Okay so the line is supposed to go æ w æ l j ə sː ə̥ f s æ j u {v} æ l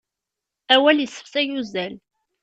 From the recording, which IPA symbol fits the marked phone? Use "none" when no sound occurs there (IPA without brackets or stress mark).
z